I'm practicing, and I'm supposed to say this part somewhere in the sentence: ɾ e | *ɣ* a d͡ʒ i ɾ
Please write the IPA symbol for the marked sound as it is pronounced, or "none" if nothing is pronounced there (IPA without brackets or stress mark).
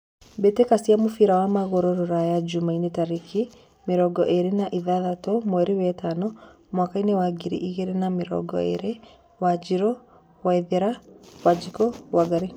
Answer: w